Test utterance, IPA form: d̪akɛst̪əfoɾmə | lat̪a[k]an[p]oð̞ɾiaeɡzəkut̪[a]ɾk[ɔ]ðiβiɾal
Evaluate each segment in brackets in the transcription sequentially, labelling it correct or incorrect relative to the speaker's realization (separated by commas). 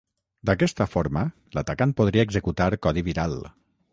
correct, correct, correct, correct